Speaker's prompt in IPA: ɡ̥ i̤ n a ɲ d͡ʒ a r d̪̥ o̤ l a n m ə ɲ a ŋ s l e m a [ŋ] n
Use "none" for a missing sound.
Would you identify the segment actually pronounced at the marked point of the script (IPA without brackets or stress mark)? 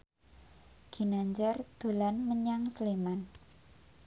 none